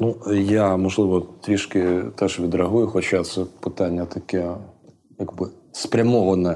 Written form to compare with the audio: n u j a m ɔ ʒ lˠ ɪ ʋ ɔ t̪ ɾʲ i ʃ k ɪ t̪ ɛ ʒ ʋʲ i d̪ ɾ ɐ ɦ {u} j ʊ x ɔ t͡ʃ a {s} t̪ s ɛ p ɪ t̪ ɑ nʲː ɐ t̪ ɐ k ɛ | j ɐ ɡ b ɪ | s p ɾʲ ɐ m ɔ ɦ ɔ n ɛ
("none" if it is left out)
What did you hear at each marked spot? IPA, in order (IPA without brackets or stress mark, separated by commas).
u, none